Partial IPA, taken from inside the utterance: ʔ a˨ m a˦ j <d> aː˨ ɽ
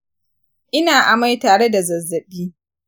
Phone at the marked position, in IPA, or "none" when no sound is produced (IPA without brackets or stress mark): t